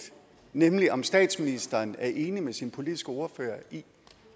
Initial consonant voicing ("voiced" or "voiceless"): voiced